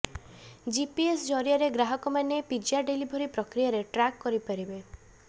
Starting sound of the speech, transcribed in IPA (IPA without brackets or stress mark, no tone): d͡ʒ